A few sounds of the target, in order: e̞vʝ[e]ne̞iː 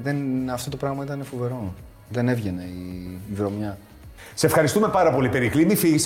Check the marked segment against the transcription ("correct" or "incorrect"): correct